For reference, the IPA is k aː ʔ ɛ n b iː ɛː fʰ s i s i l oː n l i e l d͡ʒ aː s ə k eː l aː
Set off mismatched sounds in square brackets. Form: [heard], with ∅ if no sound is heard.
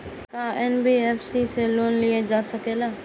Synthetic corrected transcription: k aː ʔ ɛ n b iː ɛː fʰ s i s [e] l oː n l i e [∅] d͡ʒ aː s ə k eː l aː